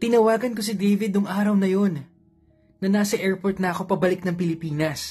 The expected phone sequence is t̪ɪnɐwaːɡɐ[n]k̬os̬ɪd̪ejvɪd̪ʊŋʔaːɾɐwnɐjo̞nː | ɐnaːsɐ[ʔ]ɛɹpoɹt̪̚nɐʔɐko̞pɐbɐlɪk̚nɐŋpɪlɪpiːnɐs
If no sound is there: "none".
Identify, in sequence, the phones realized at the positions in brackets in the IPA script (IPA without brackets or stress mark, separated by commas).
n, ʔ